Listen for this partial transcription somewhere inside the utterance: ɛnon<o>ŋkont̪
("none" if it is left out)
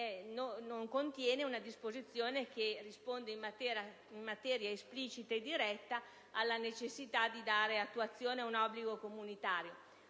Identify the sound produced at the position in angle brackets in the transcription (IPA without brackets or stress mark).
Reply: o